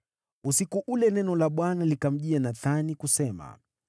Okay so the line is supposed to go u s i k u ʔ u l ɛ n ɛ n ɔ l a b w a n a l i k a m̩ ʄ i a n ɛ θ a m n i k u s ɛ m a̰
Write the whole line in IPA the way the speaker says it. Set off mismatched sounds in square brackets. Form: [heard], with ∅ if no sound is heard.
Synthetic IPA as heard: u s i k u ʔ u l ɛ n ɛ n ɔ l a [ɓ] w a n a l i k a m̩ ʄ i a n [a] θ a [∅] n i k u s ɛ m a̰